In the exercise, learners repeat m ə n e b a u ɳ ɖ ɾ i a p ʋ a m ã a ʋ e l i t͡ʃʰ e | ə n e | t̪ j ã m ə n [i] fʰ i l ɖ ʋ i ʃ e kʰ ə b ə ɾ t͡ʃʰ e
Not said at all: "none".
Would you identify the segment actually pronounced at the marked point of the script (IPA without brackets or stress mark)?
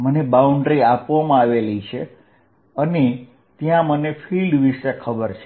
e